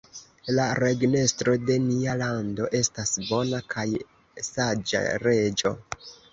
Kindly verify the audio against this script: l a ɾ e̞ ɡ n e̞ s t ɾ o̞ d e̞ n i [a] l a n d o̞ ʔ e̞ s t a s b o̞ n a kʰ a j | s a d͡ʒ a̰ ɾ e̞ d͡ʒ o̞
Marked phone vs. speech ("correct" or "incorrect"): correct